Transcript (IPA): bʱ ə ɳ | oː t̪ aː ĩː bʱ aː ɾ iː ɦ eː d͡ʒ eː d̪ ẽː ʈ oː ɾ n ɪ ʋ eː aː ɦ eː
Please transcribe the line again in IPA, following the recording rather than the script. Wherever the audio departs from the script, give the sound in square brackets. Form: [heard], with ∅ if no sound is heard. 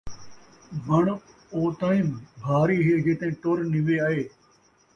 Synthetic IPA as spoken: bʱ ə ɳ | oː t̪ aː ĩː bʱ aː ɾ iː ɦ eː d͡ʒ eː [t̪] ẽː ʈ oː ɾ n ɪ ʋ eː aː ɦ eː